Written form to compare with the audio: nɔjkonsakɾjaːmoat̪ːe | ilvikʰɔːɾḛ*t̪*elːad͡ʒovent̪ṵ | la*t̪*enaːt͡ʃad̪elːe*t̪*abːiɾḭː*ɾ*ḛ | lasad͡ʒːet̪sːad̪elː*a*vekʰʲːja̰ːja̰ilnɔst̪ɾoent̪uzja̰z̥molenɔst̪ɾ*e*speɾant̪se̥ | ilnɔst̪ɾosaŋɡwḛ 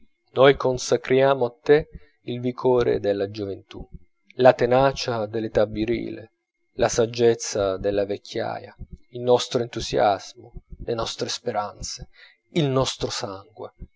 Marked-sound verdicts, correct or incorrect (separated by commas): incorrect, correct, correct, incorrect, correct, correct